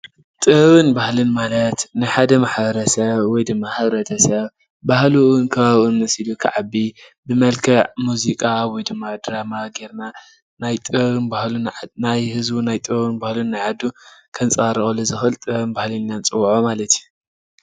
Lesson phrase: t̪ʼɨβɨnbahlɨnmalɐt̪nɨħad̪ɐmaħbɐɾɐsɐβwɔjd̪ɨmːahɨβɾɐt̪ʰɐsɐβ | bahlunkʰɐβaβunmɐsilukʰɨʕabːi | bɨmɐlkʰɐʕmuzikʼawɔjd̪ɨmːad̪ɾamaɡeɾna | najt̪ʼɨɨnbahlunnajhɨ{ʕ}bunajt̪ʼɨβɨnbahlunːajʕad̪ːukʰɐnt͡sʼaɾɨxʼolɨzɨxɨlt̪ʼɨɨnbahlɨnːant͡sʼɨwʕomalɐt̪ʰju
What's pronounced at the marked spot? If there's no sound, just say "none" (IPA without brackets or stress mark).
z